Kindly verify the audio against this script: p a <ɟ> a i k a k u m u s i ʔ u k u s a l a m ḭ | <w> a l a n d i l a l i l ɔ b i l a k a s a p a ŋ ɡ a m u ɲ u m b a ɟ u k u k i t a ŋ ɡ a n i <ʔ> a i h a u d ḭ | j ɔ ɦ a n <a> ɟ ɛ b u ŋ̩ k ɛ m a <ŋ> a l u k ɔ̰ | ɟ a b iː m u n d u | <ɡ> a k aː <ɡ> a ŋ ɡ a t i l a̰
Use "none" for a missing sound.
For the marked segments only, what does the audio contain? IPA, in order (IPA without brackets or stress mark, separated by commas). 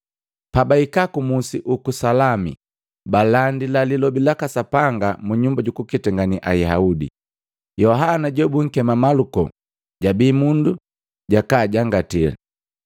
b, b, ʔ, a, m, ɟ, ɟ